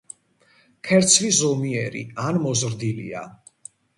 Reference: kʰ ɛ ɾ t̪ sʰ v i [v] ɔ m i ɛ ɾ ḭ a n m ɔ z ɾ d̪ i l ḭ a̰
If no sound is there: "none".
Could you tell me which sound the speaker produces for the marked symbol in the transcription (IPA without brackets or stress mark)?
z